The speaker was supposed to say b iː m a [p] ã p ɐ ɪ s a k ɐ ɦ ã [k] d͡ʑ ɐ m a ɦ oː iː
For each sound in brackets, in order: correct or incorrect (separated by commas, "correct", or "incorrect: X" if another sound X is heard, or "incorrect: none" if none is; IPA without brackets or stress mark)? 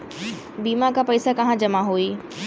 incorrect: k, incorrect: none